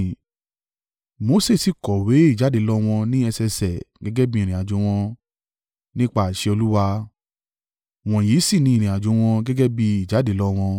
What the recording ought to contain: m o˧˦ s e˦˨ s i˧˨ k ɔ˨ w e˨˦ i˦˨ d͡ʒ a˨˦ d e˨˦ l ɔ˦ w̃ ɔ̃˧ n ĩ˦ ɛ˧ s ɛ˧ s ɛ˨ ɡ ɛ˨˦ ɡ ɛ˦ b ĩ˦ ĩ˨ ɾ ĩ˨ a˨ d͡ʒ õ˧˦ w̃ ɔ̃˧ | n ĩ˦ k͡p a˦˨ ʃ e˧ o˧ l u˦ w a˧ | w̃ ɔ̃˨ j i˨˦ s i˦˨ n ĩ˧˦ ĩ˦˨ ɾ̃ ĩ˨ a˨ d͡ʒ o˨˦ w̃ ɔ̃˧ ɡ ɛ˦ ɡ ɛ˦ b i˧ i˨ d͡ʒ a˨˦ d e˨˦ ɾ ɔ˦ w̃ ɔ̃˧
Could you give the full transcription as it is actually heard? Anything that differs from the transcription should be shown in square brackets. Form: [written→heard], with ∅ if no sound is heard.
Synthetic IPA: m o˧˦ s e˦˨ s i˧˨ k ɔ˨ w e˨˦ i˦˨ d͡ʒ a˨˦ d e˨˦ l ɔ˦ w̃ ɔ̃˧ n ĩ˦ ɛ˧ s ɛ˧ s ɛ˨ ɡ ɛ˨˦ ɡ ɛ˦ b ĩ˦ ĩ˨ ɾ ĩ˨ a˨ d͡ʒ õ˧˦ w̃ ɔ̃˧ | n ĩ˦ k͡p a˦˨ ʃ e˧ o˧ l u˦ w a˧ | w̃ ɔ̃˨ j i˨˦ s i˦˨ n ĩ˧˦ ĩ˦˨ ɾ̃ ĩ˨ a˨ d͡ʒ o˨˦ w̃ ɔ̃˧ ɡ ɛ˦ ɡ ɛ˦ b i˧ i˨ d͡ʒ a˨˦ d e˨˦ [ɾ→l] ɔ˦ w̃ ɔ̃˧